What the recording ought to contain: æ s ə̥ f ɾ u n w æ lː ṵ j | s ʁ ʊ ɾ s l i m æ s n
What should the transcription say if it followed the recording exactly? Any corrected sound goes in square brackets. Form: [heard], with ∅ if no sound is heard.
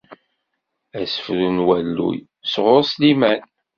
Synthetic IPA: æ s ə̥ f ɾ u n w æ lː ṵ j | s ʁ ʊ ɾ s l i m æ [∅] n